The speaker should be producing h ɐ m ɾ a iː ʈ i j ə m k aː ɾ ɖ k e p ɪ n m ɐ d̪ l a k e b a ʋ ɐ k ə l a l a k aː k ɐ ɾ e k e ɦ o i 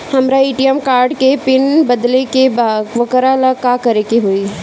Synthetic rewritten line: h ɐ m ɾ a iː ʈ i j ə m k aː ɾ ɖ k e p ɪ n b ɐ d̪ l e k e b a ʋ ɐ k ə ɾ a l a k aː k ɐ ɾ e k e ɦ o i